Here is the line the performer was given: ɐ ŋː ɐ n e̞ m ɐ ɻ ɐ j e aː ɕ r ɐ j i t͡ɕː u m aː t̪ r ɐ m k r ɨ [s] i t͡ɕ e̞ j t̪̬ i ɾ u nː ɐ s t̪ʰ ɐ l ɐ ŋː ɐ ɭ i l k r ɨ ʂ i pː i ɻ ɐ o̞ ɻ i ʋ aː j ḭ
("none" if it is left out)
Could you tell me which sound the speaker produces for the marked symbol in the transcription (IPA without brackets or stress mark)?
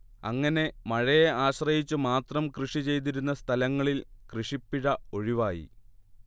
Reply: ʂ